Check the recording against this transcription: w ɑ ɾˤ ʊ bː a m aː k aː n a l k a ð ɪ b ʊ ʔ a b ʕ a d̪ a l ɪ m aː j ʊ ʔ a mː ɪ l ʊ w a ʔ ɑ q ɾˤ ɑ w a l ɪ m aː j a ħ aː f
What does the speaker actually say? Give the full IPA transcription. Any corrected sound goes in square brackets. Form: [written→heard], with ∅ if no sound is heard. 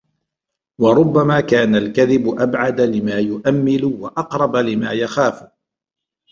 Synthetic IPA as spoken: w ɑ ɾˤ ʊ bː a m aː k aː n a l k a ð ɪ b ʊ ʔ a b ʕ a d̪ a l ɪ m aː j ʊ ʔ a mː ɪ l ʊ w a ʔ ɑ q ɾˤ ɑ [w→b] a l ɪ m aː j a [ħ→x] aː f